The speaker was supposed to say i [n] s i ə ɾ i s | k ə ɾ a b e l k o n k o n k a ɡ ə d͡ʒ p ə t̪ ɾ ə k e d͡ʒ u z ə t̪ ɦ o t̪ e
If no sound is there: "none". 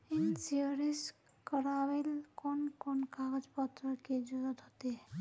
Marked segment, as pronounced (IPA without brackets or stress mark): n